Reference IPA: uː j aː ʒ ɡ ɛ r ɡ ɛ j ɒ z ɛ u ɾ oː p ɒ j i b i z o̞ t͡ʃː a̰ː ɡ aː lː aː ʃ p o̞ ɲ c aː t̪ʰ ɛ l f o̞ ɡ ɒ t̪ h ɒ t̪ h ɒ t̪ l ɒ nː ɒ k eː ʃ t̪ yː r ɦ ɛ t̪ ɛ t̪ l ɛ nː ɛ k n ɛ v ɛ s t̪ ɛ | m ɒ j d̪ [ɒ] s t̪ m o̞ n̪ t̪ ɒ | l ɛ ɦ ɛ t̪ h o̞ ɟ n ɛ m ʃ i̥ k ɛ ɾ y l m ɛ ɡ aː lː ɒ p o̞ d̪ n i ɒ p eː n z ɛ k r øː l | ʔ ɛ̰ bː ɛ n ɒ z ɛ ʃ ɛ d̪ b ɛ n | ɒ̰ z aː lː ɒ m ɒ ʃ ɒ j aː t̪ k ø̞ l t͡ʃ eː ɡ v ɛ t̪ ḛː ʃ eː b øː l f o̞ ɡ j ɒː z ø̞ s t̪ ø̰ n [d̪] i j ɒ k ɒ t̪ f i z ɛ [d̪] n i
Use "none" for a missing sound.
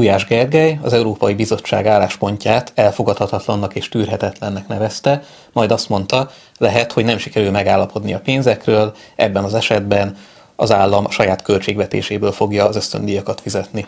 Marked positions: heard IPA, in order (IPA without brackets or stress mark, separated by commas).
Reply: ɒ, d̪, t̪